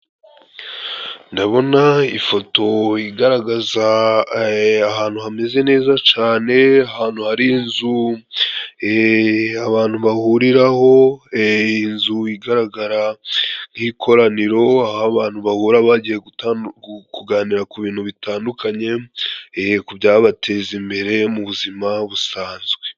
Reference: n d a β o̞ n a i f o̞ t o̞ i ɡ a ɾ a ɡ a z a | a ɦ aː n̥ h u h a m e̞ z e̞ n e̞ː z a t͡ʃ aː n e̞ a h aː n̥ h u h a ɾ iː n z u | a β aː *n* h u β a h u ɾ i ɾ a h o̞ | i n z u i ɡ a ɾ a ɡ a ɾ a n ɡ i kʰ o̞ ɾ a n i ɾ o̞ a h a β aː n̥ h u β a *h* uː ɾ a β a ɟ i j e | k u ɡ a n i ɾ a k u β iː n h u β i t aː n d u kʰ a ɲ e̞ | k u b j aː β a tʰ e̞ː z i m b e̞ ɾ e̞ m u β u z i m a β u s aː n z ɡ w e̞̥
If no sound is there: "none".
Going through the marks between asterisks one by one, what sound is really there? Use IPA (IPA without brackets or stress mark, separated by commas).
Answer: n, h